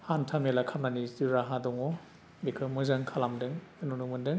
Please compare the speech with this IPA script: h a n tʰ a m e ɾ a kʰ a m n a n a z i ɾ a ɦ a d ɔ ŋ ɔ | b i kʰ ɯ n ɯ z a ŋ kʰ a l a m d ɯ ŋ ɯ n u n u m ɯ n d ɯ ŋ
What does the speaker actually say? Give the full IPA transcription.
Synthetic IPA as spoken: h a n tʰ a m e l a kʰ a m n a n i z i ɾ a ɦ a d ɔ ŋ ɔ | b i kʰ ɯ m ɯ z a ŋ kʰ a l a m d ɯ ŋ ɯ n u n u m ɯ n d ɯ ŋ